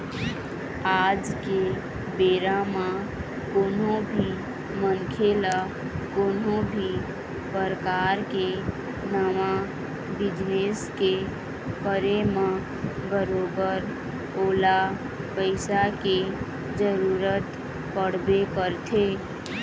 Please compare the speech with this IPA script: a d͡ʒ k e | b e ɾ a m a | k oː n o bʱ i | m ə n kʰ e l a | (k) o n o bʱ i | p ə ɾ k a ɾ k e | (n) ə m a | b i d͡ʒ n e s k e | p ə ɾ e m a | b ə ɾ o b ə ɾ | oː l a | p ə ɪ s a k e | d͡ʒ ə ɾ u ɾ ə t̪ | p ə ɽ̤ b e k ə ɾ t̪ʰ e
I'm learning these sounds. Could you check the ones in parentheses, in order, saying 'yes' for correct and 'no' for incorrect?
yes, yes

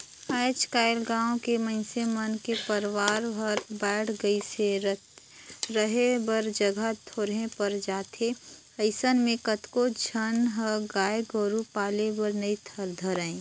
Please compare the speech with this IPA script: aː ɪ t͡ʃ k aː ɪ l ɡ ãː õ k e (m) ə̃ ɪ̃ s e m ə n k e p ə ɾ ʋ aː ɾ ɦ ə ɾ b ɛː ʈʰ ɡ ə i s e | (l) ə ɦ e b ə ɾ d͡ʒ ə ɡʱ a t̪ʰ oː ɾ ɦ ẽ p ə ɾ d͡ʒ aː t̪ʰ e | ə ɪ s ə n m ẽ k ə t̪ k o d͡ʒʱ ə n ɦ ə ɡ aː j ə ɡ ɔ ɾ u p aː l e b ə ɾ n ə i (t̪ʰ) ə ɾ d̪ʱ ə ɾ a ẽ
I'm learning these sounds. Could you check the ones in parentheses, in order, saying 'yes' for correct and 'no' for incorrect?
yes, no, yes

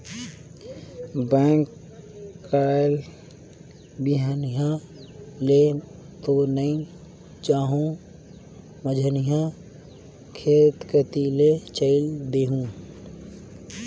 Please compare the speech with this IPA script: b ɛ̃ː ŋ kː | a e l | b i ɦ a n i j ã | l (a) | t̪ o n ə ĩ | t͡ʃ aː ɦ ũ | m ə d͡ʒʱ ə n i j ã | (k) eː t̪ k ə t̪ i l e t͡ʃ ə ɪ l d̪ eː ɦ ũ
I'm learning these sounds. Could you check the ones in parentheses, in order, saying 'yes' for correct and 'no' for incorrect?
no, no

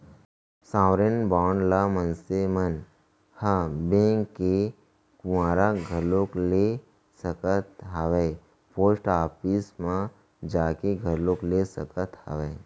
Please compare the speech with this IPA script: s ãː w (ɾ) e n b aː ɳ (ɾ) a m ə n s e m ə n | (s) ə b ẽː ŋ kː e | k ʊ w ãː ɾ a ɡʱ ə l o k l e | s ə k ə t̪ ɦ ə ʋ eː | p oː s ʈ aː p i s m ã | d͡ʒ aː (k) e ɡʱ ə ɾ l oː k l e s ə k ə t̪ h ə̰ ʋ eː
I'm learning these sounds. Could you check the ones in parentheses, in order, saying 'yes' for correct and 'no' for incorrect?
yes, no, no, yes

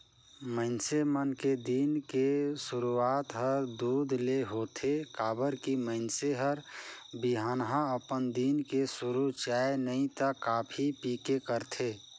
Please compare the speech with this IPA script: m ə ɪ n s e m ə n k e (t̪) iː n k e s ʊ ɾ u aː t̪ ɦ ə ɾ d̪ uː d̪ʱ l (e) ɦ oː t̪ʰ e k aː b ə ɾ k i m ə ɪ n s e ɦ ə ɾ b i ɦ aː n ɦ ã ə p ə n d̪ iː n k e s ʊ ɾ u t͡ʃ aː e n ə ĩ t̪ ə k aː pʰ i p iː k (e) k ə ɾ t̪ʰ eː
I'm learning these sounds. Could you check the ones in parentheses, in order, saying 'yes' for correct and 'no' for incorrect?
no, yes, yes

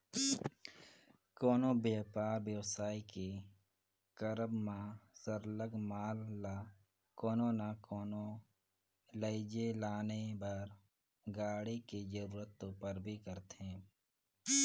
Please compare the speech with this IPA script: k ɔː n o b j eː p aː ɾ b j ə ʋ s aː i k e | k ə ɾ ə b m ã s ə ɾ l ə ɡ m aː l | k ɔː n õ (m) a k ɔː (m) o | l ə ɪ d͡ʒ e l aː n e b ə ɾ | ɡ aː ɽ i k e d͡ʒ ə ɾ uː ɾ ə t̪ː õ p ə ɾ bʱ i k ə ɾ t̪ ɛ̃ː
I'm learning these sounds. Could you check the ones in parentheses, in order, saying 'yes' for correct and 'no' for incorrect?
no, no

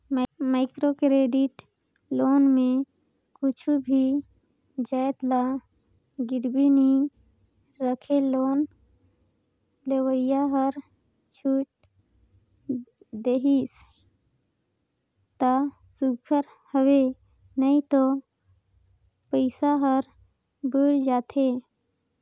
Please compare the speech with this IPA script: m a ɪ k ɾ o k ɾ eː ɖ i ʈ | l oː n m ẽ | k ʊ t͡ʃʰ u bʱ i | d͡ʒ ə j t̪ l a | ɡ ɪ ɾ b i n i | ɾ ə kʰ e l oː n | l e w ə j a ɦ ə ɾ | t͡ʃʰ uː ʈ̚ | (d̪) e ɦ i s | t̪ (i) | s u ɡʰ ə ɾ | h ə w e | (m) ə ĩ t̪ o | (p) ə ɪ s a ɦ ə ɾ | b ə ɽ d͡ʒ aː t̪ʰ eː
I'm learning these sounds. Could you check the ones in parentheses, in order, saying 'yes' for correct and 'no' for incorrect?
yes, no, no, yes

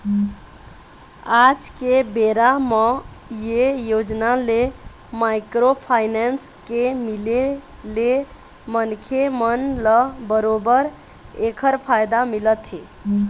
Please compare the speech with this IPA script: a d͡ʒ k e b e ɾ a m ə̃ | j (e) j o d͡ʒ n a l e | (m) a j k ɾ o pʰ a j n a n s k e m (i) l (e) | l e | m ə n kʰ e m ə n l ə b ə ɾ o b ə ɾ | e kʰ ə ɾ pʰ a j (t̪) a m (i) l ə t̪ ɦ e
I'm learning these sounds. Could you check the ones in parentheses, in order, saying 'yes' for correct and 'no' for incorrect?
yes, yes, yes, yes, no, yes

